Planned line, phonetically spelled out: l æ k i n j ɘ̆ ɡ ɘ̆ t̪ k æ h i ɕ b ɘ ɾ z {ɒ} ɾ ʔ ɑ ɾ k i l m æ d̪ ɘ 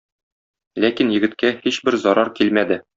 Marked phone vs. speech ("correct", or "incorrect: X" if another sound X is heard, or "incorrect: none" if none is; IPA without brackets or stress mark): correct